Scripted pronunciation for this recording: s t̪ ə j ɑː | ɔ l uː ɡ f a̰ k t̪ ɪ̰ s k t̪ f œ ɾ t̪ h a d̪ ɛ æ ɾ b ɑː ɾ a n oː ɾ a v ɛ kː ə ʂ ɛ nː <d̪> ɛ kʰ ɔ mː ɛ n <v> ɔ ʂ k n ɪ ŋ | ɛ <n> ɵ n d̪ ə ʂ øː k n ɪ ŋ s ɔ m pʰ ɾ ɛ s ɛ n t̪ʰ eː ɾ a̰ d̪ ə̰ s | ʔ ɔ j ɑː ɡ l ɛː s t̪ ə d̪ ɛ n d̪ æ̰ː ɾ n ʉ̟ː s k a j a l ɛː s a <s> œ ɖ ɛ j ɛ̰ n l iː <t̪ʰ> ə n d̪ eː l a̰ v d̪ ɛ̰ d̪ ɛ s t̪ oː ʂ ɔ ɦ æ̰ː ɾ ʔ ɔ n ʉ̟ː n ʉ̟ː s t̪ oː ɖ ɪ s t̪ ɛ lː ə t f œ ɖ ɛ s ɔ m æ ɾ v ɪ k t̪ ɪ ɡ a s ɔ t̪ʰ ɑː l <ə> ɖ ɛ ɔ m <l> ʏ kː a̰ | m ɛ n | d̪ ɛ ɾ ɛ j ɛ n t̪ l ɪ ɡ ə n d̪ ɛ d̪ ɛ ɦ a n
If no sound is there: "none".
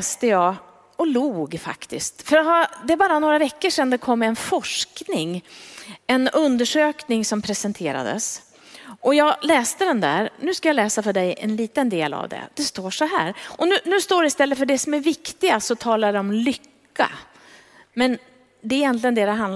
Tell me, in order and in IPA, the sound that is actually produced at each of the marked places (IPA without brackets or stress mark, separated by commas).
d̪, f, n, f, t̪, a, l